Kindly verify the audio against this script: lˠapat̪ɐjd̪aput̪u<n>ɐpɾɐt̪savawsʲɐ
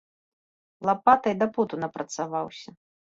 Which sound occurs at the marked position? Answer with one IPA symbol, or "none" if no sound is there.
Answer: n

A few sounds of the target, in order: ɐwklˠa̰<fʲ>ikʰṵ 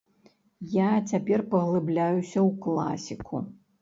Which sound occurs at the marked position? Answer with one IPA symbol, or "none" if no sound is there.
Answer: sʲ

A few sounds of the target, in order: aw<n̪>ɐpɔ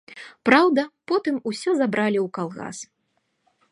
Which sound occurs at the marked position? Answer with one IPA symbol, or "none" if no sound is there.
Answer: d̪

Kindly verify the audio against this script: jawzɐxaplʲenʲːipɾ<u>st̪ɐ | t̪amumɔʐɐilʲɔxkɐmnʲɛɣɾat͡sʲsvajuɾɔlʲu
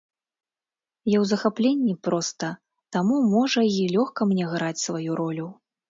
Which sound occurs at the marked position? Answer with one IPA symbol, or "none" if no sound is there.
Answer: ɔ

